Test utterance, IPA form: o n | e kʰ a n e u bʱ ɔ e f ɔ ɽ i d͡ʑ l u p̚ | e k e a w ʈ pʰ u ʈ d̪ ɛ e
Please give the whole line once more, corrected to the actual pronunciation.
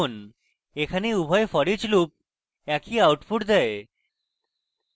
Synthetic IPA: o n | e kʰ a n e u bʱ ɔ e f ɔ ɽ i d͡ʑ l u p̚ | ɛ k i a w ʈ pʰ u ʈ d̪ ɛ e